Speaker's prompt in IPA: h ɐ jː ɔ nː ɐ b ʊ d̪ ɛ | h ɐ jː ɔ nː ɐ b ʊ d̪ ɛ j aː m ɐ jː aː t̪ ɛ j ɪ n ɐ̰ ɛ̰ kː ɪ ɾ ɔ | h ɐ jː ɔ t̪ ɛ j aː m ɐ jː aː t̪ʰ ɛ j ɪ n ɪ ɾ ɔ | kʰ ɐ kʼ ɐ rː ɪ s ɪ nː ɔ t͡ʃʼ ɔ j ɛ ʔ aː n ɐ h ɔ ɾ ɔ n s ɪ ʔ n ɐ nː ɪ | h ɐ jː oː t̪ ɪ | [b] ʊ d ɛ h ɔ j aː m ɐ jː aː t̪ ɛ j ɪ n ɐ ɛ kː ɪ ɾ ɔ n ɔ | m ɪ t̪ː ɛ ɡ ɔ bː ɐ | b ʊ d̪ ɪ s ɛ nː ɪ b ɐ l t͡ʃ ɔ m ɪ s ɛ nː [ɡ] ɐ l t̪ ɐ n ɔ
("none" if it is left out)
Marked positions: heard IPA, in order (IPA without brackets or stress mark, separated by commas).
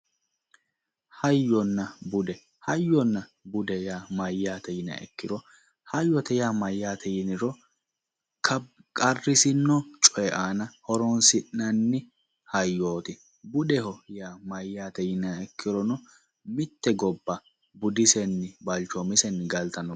b, ɡ